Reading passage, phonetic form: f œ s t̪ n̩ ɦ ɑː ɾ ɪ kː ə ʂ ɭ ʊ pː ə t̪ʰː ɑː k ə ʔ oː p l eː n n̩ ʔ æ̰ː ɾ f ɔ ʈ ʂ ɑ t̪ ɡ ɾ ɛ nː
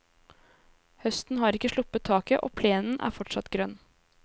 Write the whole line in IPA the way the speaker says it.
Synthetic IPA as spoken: h œ s t̪ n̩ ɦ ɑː ɾ ɪ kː ə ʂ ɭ ʊ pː ə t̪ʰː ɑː k ə ʔ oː pʰ l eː n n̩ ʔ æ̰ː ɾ f ɔ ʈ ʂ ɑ t̪ ɡ ɾ œ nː